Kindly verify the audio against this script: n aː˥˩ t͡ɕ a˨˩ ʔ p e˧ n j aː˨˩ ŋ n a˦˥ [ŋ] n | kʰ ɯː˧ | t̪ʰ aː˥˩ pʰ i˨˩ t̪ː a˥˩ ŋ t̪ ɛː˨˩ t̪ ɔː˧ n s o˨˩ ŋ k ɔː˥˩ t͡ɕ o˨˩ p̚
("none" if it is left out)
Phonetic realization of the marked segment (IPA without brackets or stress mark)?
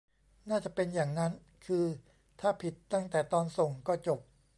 none